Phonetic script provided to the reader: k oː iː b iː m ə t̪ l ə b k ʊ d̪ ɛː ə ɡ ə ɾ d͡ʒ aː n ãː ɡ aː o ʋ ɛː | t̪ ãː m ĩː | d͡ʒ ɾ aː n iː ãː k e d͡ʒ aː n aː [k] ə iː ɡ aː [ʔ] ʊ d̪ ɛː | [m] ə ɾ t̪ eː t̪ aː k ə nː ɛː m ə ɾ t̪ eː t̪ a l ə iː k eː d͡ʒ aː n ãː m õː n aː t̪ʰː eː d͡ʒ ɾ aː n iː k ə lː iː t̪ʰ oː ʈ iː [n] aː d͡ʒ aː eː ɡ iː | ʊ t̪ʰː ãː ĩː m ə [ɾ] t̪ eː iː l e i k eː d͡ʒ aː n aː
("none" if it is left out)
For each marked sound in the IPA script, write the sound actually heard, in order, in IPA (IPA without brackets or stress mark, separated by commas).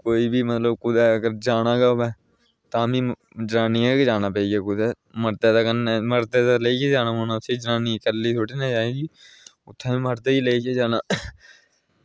p, k, m, n, ɾ